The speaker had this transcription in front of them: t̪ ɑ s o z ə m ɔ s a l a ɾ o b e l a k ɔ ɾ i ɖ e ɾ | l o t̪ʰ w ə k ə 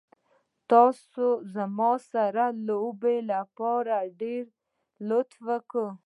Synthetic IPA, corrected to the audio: t̪ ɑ s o z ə m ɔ s a ɾ a l o b e l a p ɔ ɾ a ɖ e ɾ | l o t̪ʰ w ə k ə